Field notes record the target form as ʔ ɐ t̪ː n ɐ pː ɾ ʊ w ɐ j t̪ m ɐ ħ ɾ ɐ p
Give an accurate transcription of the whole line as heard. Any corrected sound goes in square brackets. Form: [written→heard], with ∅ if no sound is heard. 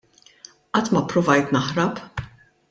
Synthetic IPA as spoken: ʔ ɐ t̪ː [n→m] ɐ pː ɾ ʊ [w→v] ɐ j t̪ [m→n] ɐ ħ ɾ ɐ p